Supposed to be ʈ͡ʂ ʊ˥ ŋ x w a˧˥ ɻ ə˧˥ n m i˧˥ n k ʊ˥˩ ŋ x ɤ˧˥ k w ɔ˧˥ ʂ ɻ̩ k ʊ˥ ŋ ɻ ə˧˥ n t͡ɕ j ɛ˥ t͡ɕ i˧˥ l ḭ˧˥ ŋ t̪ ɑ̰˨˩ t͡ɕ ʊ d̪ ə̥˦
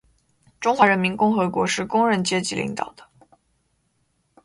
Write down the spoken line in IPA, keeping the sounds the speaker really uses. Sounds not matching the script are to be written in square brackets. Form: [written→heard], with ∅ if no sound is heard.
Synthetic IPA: ʈ͡ʂ ʊ˥ ŋ x w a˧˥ ɻ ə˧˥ n m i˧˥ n k [ʊ˥˩→ʊ˥] ŋ x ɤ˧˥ k w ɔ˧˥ ʂ ɻ̩ k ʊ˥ ŋ ɻ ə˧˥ n t͡ɕ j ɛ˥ t͡ɕ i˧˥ l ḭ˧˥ ŋ t̪ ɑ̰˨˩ [t͡ɕ→∅] ʊ d̪ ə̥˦

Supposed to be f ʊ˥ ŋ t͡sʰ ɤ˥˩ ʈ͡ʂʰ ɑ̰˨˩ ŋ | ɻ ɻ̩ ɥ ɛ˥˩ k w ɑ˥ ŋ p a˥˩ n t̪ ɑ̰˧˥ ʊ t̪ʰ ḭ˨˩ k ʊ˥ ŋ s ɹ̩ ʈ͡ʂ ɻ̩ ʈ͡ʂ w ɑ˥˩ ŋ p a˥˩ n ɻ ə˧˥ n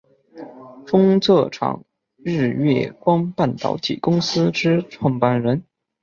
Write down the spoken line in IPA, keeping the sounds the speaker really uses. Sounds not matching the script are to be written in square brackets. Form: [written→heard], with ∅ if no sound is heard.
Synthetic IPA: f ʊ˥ ŋ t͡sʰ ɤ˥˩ ʈ͡ʂʰ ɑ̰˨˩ ŋ | ɻ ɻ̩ ɥ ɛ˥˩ k w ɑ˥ ŋ p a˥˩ n t̪ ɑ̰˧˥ ʊ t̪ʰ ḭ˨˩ k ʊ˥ ŋ s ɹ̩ ʈ͡ʂ ɻ̩ [ʈ͡ʂ→ʈ͡ʂʰ] w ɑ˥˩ ŋ p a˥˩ n ɻ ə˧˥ n

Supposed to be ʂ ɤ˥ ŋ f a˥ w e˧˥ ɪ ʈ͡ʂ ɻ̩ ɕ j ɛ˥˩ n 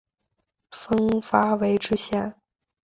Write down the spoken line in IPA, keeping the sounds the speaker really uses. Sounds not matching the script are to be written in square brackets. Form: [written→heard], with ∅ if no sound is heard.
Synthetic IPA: [ʂ→f] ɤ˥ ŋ f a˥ w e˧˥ ɪ ʈ͡ʂ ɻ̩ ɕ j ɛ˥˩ n

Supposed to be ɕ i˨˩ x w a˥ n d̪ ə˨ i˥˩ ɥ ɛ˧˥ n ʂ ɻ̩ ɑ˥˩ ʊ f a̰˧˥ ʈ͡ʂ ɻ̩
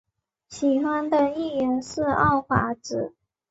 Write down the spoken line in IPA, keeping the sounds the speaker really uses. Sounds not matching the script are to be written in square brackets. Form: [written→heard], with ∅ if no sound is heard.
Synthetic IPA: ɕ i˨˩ x w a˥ n d̪ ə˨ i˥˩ ɥ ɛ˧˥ n ʂ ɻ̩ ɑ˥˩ ʊ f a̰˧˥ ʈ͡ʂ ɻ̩

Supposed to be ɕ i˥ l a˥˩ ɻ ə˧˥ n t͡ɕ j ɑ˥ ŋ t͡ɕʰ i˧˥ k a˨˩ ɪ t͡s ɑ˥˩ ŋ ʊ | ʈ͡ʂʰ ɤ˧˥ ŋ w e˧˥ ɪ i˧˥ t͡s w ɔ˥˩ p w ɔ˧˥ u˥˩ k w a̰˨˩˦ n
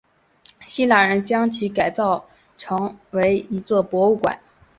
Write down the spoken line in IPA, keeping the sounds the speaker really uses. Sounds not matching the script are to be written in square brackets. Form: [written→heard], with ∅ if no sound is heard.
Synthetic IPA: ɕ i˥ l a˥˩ ɻ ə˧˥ n t͡ɕ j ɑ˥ ŋ t͡ɕʰ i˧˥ k a˨˩ ɪ t͡s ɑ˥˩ [ŋ→∅] ʊ | ʈ͡ʂʰ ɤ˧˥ ŋ w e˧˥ ɪ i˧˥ t͡s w ɔ˥˩ p w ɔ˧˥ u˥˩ k w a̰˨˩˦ n

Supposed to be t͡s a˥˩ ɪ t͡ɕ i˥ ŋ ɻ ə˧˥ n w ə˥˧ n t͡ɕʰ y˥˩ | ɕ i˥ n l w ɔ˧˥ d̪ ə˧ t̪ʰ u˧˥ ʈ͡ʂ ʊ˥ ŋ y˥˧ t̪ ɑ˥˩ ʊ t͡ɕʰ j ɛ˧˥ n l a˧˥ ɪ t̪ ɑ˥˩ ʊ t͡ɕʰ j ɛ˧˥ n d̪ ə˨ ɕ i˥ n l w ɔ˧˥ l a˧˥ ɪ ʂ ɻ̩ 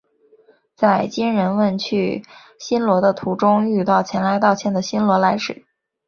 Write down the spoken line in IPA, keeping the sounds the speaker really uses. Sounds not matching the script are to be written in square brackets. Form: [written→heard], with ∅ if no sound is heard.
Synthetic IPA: t͡s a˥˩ ɪ t͡ɕ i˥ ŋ ɻ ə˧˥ n w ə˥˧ n t͡ɕʰ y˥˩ | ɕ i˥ n l w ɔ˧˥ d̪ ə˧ t̪ʰ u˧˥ ʈ͡ʂ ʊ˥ ŋ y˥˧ t̪ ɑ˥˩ ʊ t͡ɕʰ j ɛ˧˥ n l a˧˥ ɪ t̪ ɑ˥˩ ʊ t͡ɕʰ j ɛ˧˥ n d̪ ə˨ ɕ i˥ n l w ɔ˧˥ l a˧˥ ɪ ʂ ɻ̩

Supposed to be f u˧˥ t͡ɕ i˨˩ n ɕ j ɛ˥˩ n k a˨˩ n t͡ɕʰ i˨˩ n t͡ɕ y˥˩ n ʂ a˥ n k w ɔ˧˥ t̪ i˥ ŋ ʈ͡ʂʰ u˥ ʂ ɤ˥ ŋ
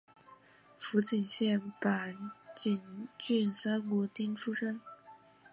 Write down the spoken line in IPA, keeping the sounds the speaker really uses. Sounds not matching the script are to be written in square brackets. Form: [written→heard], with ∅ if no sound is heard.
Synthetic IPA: f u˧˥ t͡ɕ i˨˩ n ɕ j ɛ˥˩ n [k→p] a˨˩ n [t͡ɕʰ→t͡ɕ] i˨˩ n t͡ɕ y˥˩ n [ʂ→s] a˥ n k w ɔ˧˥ t̪ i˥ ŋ ʈ͡ʂʰ u˥ ʂ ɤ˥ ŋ

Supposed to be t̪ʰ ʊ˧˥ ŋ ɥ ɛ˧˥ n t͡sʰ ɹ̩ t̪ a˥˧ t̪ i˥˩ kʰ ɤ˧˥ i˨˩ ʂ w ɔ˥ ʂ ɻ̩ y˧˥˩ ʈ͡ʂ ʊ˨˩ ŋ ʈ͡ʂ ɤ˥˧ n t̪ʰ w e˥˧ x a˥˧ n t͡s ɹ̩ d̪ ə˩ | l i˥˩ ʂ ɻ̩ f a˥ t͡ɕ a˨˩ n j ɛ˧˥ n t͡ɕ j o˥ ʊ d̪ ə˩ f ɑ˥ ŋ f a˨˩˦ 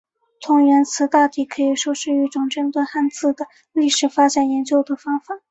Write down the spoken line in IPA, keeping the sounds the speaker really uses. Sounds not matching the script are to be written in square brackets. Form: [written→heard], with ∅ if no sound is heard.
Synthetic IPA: t̪ʰ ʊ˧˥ ŋ ɥ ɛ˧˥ n t͡sʰ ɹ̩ t̪ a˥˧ t̪ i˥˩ kʰ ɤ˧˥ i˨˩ ʂ w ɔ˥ ʂ ɻ̩ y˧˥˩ ʈ͡ʂ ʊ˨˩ ŋ ʈ͡ʂ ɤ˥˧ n [t̪ʰ→t̪] w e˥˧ x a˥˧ n t͡s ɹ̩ d̪ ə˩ | l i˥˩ ʂ ɻ̩ f a˥ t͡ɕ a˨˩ n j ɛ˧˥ n t͡ɕ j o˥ ʊ d̪ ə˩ f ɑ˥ ŋ f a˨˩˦

